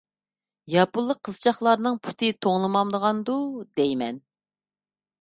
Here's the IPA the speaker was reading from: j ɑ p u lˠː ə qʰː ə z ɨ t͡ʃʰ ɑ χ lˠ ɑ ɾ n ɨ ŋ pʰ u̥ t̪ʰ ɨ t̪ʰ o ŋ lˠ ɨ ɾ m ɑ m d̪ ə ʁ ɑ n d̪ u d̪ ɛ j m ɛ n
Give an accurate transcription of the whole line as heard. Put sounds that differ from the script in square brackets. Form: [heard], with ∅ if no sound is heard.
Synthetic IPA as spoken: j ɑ p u lˠː ə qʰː ə z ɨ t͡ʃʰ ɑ χ lˠ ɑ ɾ n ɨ ŋ pʰ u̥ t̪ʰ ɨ t̪ʰ o ŋ lˠ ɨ [∅] m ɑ m d̪ ə ʁ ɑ n d̪ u d̪ ɛ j m ɛ n